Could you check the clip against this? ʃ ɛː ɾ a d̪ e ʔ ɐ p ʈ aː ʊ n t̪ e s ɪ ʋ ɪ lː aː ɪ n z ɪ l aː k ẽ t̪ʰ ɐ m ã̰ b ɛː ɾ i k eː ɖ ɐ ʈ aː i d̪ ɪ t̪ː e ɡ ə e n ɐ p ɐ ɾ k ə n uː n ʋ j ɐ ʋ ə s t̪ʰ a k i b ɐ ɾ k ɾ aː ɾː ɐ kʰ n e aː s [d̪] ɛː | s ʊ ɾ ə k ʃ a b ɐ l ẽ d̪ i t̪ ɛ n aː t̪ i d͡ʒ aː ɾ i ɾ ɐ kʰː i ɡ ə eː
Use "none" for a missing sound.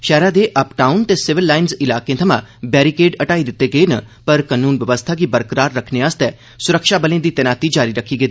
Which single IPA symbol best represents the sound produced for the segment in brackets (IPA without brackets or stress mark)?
t̪